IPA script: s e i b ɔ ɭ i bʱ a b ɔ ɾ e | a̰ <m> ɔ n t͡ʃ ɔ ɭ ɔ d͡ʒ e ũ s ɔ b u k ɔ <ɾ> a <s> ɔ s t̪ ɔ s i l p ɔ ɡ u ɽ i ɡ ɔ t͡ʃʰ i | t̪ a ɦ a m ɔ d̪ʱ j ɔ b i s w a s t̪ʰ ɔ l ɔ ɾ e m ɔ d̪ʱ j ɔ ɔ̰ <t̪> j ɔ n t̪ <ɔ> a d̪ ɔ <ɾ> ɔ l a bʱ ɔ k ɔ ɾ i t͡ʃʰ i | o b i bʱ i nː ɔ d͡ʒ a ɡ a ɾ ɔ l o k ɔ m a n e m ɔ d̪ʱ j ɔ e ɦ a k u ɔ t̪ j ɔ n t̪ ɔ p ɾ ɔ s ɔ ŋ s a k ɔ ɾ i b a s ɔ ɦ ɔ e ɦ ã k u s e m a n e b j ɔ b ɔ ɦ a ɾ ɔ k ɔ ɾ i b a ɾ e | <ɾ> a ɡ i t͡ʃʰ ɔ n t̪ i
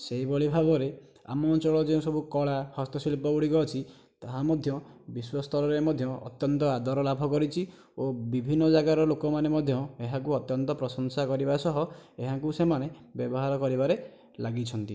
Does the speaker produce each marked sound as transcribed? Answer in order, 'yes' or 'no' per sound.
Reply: yes, no, no, yes, yes, yes, no

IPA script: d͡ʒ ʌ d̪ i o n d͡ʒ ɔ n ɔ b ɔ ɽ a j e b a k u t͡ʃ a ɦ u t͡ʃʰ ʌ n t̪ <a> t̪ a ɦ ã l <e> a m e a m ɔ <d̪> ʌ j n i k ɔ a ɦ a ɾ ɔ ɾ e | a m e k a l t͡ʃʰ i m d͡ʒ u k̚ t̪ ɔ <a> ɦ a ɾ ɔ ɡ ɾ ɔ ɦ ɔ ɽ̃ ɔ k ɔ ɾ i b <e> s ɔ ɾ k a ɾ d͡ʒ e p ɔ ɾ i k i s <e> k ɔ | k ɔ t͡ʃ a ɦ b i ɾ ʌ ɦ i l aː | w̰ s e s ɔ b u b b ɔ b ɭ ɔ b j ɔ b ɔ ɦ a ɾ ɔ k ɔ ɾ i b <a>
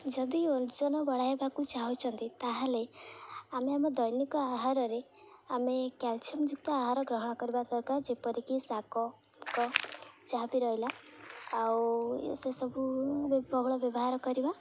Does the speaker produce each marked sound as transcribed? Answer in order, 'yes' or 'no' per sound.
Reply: no, yes, yes, yes, no, no, yes

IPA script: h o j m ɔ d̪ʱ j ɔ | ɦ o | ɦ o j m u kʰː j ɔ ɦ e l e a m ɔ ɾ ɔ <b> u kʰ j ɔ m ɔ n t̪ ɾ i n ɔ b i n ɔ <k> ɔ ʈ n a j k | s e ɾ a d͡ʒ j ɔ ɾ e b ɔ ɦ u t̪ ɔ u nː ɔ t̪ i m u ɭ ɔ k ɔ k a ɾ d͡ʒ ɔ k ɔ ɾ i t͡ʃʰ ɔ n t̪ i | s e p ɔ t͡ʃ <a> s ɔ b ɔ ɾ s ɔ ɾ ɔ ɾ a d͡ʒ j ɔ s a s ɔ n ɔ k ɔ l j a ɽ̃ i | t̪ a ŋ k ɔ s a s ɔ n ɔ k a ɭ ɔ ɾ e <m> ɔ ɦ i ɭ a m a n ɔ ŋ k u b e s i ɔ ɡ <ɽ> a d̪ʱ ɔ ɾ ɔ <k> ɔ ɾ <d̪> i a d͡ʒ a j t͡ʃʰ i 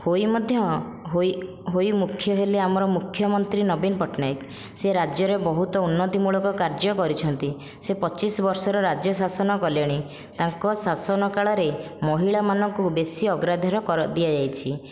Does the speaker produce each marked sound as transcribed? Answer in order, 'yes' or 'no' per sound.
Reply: no, no, no, yes, no, yes, yes

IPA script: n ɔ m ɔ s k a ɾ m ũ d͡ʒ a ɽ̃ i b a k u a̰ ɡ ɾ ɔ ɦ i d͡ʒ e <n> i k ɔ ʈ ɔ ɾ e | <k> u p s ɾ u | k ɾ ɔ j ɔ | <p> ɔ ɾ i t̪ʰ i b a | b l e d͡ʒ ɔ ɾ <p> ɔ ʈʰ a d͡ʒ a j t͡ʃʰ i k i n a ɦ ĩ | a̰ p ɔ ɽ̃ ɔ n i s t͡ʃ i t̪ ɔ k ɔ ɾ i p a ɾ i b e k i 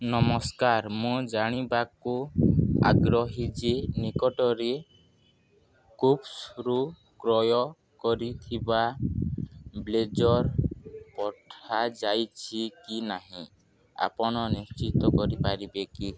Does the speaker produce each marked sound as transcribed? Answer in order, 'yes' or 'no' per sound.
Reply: yes, yes, no, yes

